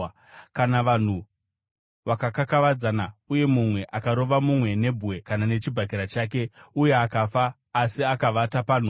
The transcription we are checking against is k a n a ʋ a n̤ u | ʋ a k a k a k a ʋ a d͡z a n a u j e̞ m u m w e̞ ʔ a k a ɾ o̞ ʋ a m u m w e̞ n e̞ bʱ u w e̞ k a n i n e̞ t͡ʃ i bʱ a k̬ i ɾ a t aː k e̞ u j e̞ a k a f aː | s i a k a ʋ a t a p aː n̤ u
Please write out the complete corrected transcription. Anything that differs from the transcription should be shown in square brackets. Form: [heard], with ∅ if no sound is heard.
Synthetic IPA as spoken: k a n a ʋ a n̤ u | ʋ a k a k a k a ʋ a d͡z a n a u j e̞ m u m w e̞ ʔ a k a ɾ o̞ ʋ a m u m w e̞ n e̞ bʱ u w e̞ k a n [a] n e̞ t͡ʃ i bʱ a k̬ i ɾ a [t͡ʃ] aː k e̞ u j e̞ a k a f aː | s i a k a ʋ a t a p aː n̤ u